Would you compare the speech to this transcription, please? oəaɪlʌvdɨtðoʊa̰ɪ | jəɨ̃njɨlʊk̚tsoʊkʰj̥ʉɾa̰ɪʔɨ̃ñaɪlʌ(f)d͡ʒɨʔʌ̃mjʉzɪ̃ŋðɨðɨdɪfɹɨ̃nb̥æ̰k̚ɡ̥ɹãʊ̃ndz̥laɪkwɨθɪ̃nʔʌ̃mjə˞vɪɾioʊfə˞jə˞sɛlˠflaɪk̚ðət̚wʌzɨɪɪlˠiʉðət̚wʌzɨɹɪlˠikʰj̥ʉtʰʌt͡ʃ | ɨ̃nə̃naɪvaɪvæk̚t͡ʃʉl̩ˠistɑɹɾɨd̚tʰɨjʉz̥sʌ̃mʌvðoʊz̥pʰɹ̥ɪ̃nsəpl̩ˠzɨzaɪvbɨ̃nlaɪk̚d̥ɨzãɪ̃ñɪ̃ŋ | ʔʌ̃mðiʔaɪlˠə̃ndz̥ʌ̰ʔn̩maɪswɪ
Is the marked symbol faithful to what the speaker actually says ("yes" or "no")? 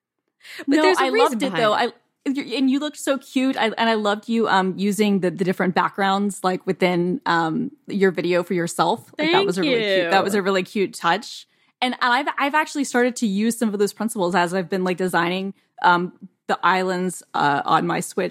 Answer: no